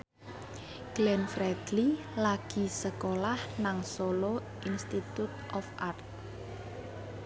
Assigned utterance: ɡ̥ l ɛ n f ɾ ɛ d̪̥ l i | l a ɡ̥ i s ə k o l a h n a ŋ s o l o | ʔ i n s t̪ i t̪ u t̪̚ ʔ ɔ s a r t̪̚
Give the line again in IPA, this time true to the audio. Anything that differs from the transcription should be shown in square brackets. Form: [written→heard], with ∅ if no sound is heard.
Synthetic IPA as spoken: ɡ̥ l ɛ n f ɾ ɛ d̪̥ l i | l a ɡ̥ i s ə k o l a h n a ŋ s o l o | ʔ i n s t̪ i t̪ u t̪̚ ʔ ɔ [s→f] a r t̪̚